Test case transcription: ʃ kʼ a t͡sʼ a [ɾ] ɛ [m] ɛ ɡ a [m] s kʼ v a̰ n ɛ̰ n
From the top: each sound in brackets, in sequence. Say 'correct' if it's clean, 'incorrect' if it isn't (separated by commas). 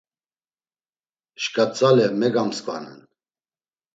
incorrect, correct, correct